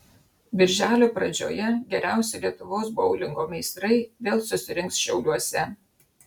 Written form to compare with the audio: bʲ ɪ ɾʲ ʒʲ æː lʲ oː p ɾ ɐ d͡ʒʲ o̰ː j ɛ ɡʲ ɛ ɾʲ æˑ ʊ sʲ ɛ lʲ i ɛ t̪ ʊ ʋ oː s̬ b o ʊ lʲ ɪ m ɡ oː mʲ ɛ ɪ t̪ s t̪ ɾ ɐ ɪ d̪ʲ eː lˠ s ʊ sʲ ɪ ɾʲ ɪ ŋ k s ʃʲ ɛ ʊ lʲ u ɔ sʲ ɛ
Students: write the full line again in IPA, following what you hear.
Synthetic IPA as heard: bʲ ɪ ɾʲ ʒʲ æː lʲ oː p ɾ ɐ d͡ʒʲ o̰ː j ɛ ɡʲ ɛ ɾʲ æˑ ʊ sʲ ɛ lʲ i ɛ t̪ ʊ ʋ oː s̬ b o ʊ lʲ ɪ ŋ ɡ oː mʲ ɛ ɪ s t̪ ɾ ɐ ɪ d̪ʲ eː lˠ s ʊ sʲ ɪ ɾʲ ɪ ŋ k s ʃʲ ɛ ʊ lʲ u ɔ sʲ ɛ